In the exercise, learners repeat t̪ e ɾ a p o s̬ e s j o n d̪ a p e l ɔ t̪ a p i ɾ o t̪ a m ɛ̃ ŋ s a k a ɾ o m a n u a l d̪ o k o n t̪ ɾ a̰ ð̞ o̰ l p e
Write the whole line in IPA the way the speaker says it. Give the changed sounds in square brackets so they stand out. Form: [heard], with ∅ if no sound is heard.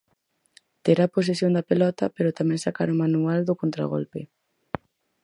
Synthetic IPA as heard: t̪ e ɾ a p o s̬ e s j o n d̪ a p e l ɔ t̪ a p [e] ɾ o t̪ a m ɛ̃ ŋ s a k a ɾ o m a n u a l d̪ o k o n t̪ ɾ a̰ [ɣ̞] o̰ l p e